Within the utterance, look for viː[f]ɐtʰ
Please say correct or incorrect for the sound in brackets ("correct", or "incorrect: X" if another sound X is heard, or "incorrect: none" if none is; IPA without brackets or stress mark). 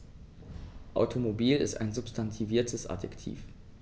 incorrect: none